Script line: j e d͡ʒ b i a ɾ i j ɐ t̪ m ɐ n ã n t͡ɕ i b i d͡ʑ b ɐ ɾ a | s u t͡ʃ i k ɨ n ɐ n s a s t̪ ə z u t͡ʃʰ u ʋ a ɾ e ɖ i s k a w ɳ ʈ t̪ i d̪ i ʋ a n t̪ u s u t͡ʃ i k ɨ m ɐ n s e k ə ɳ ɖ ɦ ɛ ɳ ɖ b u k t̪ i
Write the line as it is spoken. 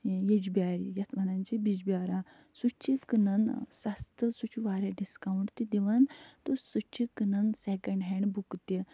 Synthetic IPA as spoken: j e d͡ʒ b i a ɾ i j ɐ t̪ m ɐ n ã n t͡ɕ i b i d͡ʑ b a ɾ a | s u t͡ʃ i k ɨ n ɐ n s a s t̪ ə s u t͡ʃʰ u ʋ a ɾ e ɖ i s k a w ɳ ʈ t̪ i d̪ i ʋ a n t̪ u s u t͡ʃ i k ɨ n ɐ n s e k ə ɳ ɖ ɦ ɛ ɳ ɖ b u k t̪ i